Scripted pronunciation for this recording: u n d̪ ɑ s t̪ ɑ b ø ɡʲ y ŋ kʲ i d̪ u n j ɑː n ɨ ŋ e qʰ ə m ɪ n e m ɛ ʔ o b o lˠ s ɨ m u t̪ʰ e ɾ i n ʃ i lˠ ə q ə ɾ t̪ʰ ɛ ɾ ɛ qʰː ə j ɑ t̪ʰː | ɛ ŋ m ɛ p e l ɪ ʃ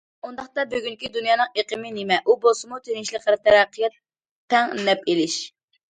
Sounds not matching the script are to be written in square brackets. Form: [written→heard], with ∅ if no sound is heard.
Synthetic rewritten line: u n d̪ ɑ [s→χ] t̪ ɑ b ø ɡʲ y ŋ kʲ i d̪ u n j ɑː n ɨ ŋ e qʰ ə m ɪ n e m ɛ ʔ [o→u] b o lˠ s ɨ m u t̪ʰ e ɾ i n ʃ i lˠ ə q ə ɾ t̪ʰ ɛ ɾ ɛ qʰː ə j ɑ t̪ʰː | ɛ ŋ [m→n] ɛ p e l ɪ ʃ